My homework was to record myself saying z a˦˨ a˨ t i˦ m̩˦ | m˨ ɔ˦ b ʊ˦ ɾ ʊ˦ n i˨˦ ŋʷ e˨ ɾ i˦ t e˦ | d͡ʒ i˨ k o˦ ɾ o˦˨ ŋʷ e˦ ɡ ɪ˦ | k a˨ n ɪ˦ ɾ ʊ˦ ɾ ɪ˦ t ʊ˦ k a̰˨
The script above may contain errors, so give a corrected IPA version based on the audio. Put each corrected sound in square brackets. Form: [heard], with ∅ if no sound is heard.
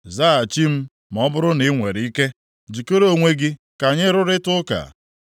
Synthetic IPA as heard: z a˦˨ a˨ [t͡ʃ] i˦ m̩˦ | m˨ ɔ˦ b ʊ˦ ɾ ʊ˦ n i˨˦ ŋʷ e˨ ɾ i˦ [k] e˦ | d͡ʒ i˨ k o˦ ɾ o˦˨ ŋʷ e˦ ɡ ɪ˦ | k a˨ [ɲ] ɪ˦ ɾ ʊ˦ ɾ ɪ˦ t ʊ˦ k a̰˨